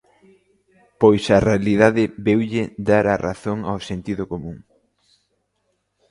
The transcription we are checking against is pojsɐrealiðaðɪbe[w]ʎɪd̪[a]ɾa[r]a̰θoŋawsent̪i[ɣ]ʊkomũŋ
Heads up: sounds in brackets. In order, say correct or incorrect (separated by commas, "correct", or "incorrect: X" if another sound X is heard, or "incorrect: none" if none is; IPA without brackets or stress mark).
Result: correct, correct, correct, incorrect: ð